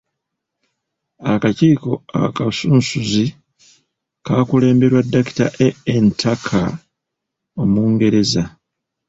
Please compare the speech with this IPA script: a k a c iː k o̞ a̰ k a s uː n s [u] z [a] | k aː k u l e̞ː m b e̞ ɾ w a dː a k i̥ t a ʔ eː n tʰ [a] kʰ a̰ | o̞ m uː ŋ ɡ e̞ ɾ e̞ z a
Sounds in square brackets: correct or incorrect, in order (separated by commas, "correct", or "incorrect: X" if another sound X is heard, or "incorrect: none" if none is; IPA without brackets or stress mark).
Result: correct, incorrect: i, correct